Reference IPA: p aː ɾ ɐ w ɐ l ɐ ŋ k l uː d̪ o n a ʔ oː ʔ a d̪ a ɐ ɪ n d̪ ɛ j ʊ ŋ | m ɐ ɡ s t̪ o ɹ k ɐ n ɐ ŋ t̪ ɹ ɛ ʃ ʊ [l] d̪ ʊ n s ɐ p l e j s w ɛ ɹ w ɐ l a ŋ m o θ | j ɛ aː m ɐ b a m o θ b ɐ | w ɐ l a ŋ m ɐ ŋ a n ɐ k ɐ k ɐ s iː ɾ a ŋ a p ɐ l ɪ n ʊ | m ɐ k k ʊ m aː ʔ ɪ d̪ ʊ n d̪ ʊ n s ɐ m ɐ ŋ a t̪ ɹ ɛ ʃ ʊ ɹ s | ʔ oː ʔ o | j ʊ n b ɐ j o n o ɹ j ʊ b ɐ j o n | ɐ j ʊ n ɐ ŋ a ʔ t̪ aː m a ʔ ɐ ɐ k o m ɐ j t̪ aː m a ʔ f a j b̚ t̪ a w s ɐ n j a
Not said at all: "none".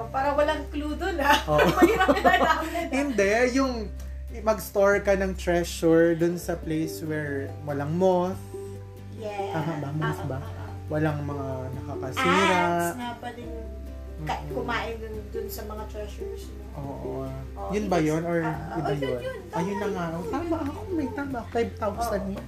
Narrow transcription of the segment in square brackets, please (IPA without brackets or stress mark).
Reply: ɹ